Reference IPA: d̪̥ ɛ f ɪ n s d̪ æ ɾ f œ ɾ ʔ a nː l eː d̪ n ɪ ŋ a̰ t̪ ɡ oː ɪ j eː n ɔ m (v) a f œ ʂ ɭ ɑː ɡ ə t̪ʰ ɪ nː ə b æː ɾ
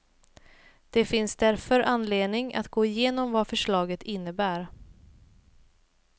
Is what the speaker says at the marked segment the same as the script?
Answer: yes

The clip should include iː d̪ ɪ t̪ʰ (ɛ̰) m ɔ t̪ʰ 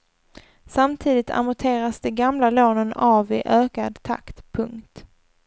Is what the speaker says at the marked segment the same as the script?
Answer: no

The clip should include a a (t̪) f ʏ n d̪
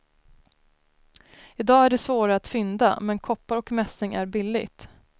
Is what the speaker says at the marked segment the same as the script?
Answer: yes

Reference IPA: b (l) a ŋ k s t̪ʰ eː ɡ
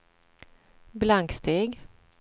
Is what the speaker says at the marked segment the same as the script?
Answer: yes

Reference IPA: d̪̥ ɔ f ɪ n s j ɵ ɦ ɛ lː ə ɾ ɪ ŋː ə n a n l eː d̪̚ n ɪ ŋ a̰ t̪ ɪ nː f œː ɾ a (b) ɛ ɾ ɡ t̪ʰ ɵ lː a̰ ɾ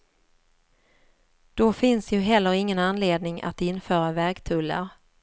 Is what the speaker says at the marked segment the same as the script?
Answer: no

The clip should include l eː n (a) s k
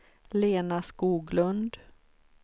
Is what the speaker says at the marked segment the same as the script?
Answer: yes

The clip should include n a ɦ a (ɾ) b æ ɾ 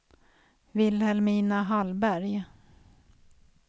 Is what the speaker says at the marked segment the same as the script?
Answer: no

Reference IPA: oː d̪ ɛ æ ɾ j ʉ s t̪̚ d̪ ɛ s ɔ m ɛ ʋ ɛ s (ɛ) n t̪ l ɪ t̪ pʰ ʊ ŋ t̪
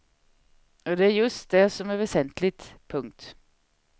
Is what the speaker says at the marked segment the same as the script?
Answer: yes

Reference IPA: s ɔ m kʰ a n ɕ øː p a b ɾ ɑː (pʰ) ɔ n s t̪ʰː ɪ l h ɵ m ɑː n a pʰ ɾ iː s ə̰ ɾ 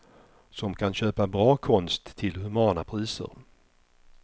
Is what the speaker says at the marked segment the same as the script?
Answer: no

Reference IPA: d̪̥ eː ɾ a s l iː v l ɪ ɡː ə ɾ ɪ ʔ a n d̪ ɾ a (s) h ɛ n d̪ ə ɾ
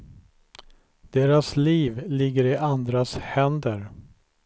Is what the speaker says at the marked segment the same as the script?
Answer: yes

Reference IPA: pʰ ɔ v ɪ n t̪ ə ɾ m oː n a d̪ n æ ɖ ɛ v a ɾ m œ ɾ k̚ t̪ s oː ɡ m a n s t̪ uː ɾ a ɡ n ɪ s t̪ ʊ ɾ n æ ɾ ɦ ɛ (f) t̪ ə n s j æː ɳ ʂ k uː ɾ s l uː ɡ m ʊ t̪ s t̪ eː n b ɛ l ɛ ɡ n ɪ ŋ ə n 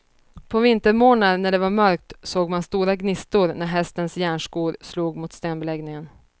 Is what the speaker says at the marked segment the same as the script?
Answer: no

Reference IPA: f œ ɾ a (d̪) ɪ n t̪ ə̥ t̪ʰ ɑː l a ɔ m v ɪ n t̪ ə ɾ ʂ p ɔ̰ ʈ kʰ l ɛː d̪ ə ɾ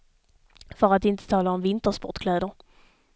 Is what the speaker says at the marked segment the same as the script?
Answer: no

